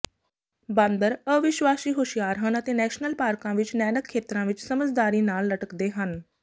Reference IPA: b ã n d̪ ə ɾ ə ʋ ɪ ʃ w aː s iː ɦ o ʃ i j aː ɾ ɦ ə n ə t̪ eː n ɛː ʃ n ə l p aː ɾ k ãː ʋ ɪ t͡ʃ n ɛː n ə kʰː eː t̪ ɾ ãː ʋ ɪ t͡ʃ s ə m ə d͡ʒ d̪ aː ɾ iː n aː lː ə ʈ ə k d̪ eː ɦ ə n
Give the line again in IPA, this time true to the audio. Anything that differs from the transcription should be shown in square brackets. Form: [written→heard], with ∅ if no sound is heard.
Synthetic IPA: b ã n d̪ ə ɾ ə ʋ ɪ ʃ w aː s iː ɦ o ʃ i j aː ɾ ɦ ə n ə t̪ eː n ɛː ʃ n ə l p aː ɾ k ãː ʋ ɪ t͡ʃ n ɛː n ə kʰː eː t̪ ɾ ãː ʋ ɪ t͡ʃ s ə m ə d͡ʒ d̪ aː ɾ iː n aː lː ə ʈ ə k d̪ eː ɦ ə n

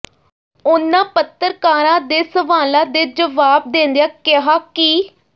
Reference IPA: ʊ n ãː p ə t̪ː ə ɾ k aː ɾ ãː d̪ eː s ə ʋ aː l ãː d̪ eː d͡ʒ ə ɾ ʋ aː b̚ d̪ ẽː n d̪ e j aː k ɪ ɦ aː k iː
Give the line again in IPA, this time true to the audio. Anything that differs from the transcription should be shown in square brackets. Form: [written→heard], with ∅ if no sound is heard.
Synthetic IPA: ʊ n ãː p ə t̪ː ə ɾ k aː ɾ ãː d̪ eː s ə ʋ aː l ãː d̪ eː d͡ʒ ə [ɾ→∅] ʋ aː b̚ d̪ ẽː n d̪ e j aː k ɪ ɦ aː k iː

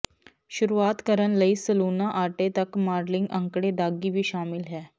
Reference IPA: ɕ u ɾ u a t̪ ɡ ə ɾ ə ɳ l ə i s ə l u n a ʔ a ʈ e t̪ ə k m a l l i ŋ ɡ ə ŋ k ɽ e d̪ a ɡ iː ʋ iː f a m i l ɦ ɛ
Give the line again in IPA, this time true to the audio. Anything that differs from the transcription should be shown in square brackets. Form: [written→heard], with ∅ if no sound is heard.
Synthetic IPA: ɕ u ɾ u a t̪ [ɡ→k] ə ɾ ə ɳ l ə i s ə l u n a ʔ a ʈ e t̪ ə k m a [l→ɾ] l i ŋ ɡ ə ŋ k ɽ e d̪ a ɡ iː ʋ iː [f→ɕ] a m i l ɦ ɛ

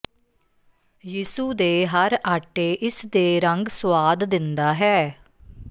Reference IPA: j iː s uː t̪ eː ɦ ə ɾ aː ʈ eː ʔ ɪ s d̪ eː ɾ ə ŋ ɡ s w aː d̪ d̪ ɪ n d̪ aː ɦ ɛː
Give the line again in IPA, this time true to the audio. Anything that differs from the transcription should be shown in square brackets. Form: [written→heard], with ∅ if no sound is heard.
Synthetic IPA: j iː s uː [t̪→d̪] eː ɦ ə ɾ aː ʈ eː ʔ ɪ s d̪ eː ɾ ə ŋ ɡ s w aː d̪ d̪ ɪ n d̪ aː ɦ ɛː

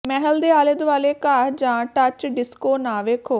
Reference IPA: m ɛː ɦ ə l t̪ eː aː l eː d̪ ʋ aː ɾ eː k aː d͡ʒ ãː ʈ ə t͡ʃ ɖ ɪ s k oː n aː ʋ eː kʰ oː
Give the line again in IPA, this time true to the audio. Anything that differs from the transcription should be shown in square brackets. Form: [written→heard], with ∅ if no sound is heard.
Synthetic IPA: m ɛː ɦ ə l [t̪→d̪] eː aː l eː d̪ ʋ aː [ɾ→l] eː k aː d͡ʒ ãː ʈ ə t͡ʃ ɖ ɪ s k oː n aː ʋ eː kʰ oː

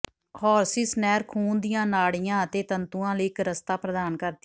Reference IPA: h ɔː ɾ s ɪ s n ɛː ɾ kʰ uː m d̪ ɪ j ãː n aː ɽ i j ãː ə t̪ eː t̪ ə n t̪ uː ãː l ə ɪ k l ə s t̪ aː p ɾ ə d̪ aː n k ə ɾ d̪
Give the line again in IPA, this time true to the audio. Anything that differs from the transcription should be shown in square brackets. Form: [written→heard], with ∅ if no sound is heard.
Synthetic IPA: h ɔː ɾ s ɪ s n ɛː ɾ kʰ uː [m→n] d̪ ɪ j ãː n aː ɽ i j ãː ə t̪ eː t̪ ə n t̪ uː ãː l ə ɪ k [l→ɾ] ə s t̪ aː p ɾ ə d̪ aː n k ə ɾ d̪

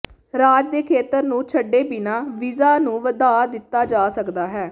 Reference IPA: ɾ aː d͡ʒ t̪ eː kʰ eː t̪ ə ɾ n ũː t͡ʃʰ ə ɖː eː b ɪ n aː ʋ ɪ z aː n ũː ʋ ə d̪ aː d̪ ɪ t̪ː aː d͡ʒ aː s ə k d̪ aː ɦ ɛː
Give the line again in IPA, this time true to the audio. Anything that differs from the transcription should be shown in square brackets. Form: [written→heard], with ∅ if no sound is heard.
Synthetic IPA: ɾ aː d͡ʒ [t̪→d̪] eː kʰ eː t̪ ə ɾ n ũː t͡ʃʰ ə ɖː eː b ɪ n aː ʋ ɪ z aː n ũː ʋ ə d̪ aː d̪ ɪ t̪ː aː d͡ʒ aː s ə k d̪ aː ɦ ɛː

